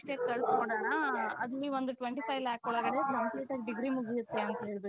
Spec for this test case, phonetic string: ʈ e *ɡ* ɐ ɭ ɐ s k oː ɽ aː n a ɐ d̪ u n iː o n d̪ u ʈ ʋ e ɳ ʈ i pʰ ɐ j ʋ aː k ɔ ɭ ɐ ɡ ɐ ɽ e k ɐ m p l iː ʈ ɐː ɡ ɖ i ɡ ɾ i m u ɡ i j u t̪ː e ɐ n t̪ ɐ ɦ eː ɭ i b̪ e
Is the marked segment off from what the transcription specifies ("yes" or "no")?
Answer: yes